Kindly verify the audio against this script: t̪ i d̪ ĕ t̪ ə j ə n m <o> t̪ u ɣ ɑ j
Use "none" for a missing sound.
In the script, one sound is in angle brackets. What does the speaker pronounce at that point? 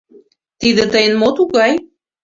o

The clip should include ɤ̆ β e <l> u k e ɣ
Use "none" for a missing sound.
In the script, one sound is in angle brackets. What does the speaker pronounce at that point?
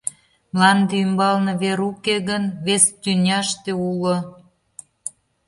ɾ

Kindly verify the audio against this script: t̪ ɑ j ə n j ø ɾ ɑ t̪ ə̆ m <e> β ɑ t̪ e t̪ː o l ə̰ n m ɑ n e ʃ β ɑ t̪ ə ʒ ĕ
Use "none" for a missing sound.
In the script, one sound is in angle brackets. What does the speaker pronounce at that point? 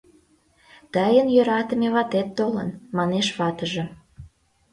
e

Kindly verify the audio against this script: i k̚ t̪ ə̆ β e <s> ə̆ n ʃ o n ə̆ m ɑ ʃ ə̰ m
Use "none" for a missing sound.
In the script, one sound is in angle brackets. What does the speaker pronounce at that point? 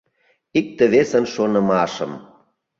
s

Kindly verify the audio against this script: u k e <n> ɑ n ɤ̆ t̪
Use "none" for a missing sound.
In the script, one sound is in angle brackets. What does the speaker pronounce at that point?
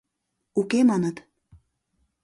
m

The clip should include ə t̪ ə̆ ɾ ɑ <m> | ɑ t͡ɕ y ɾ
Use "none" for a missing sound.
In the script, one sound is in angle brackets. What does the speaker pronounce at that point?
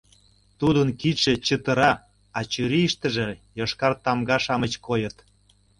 none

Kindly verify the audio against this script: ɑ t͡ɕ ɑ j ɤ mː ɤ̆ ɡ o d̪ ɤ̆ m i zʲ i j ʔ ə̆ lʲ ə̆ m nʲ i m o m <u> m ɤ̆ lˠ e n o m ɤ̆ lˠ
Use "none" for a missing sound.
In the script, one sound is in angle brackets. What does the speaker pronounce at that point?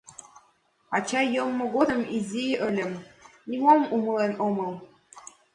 u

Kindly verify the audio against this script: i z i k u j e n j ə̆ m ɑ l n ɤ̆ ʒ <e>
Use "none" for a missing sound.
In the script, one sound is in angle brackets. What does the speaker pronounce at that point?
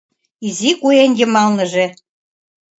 e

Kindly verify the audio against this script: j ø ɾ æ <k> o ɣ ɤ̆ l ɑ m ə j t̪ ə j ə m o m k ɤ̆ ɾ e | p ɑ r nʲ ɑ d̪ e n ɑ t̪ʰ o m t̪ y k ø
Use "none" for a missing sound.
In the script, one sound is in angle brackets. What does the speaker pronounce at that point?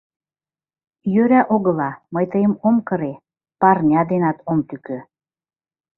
ʔ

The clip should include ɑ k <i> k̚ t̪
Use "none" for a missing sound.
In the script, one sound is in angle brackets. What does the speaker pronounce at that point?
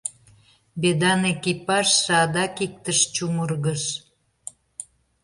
i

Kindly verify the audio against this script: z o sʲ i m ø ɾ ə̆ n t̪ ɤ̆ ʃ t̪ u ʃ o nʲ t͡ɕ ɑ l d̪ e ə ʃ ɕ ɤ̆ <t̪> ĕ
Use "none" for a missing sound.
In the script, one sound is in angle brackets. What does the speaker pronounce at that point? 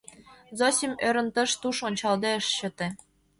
t̪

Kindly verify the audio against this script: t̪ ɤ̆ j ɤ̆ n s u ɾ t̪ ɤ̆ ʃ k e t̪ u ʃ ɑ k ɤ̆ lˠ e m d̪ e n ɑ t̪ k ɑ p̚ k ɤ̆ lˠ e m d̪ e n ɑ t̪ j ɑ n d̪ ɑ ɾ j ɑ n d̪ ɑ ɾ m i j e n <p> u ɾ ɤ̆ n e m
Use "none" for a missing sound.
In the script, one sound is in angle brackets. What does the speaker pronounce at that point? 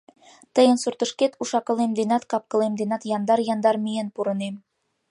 p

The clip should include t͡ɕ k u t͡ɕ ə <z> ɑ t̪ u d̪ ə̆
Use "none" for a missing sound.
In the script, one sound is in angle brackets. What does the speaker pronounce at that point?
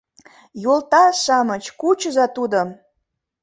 z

